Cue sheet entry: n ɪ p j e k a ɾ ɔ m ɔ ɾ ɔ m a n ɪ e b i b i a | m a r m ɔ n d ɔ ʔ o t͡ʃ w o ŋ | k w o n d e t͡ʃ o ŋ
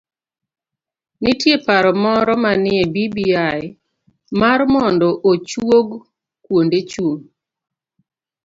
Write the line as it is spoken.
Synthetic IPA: n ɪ t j e p a ɾ ɔ m ɔ ɾ ɔ m a n ɪ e b i b i a | m a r m ɔ n d ɔ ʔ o t͡ʃ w o ɡ | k w o n d e t͡ʃ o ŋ